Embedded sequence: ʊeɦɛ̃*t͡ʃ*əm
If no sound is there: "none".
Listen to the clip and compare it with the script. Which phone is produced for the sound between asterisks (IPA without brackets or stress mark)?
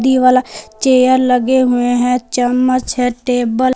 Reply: t͡ʃ